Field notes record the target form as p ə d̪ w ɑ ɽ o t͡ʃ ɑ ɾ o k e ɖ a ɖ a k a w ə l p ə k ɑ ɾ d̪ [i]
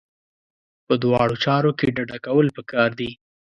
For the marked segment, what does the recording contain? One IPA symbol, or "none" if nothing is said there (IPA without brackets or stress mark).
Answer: i